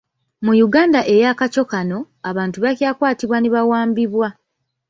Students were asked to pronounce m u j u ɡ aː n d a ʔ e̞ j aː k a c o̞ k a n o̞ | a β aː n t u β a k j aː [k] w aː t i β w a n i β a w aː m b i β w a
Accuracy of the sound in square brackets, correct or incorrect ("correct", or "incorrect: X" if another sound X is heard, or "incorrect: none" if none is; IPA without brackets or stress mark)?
correct